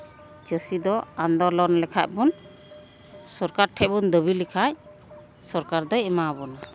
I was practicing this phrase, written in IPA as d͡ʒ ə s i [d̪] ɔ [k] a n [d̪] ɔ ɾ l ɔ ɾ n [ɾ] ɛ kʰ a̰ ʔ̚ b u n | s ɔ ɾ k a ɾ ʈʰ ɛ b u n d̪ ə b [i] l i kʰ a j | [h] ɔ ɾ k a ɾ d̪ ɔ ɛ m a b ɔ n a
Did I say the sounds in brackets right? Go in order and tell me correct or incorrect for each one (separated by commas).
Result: correct, incorrect, correct, incorrect, correct, incorrect